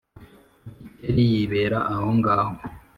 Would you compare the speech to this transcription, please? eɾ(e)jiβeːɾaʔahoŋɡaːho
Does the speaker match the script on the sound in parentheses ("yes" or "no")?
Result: no